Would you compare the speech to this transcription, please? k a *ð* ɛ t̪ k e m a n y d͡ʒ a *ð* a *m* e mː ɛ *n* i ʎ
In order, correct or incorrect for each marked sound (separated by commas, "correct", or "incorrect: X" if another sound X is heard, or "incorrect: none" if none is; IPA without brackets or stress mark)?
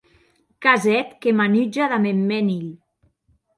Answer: incorrect: z, correct, correct, correct